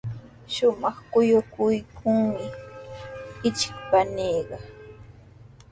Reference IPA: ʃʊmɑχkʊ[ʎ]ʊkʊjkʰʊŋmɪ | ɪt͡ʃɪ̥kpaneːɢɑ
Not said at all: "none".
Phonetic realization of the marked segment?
j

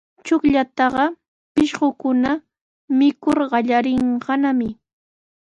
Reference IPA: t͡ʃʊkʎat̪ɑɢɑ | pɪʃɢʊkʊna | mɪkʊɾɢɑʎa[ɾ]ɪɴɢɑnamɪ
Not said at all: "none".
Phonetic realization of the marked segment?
ɾ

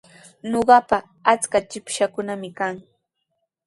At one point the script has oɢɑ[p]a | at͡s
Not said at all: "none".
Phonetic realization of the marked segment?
p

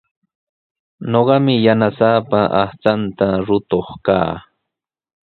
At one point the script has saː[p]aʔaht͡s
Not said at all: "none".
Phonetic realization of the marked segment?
p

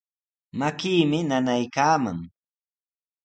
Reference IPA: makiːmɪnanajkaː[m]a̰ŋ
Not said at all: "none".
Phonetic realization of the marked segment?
m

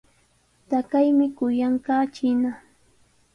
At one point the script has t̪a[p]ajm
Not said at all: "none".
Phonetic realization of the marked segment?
k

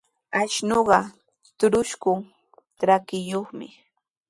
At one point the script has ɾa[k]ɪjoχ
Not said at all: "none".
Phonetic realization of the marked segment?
k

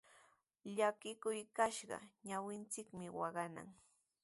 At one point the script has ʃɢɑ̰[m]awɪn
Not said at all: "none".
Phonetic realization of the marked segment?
ɲ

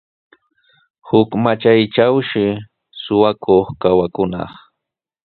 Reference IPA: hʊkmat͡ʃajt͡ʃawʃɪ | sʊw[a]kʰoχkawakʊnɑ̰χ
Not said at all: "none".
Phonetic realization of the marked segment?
a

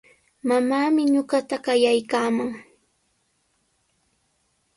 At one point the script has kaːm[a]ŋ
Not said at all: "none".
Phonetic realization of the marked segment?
a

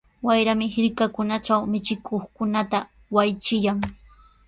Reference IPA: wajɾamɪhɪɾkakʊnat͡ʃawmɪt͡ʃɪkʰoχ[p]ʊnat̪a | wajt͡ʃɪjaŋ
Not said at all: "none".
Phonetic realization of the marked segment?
k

